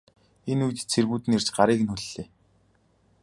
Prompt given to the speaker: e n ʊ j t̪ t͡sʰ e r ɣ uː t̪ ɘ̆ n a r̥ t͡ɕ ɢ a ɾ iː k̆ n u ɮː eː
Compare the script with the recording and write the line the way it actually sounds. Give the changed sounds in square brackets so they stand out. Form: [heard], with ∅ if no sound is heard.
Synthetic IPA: e n [u] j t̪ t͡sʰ e r ɣ uː t̪ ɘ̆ n [e] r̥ t͡ɕ ɢ a ɾ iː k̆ n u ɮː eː